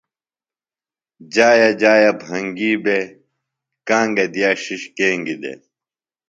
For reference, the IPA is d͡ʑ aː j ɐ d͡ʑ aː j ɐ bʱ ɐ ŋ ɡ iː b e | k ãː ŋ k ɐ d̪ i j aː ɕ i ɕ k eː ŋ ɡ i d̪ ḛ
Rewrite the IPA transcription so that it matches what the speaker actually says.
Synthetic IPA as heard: d͡ʑ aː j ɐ d͡ʑ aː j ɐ bʱ ɐ ŋ ɡ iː b e | k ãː ŋ ɡ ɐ d̪ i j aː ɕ i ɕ k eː ŋ ɡ i d̪ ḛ